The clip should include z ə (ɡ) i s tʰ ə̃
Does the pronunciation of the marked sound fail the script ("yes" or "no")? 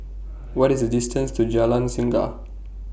yes